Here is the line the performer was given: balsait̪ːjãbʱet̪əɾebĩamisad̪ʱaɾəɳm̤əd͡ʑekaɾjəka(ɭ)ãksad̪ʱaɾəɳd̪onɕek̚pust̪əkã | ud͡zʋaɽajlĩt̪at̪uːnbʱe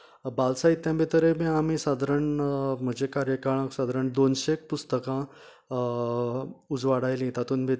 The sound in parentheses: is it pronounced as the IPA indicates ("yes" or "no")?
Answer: yes